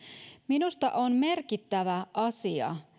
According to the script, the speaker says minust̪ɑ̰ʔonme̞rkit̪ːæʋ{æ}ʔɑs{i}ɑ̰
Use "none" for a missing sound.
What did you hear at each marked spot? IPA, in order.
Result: æ, i

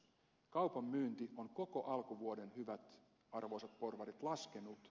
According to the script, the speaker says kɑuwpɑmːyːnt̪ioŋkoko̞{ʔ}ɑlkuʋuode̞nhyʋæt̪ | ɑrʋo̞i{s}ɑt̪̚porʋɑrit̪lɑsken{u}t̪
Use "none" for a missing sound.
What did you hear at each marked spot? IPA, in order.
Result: ʔ, s, u

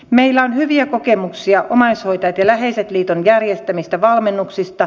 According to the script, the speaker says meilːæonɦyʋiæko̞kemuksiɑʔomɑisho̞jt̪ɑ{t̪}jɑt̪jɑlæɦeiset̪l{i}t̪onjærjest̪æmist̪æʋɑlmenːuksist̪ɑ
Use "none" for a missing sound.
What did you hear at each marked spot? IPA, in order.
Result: none, iː

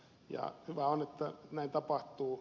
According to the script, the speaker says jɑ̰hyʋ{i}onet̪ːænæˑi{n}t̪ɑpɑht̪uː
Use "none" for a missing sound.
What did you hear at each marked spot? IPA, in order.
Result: æ, n

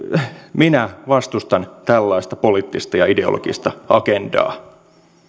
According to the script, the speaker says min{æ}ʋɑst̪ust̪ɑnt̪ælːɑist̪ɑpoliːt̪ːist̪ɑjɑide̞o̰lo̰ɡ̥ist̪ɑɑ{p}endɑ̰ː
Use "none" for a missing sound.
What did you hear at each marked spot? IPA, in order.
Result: æ, k

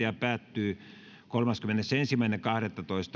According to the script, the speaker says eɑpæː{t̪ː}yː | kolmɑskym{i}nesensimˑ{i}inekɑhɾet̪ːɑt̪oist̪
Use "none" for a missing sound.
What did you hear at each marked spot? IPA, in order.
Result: t̪ː, e, æ

